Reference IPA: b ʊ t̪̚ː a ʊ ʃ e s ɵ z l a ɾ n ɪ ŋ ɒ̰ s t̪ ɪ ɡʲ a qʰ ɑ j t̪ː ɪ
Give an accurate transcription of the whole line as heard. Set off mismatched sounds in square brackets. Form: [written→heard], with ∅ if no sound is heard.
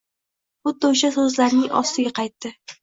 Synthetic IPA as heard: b ʊ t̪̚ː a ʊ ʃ [e→a] s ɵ z l a ɾ n ɪ ŋ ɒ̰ s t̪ ɪ ɡʲ a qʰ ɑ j t̪ː ɪ